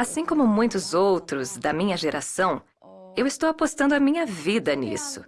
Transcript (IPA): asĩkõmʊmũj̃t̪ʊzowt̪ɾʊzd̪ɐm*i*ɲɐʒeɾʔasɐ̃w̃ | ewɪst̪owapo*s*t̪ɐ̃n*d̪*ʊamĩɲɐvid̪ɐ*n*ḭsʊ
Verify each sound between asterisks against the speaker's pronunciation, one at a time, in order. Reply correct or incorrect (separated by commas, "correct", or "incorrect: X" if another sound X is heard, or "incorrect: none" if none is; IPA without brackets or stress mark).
incorrect: ĩ, correct, correct, correct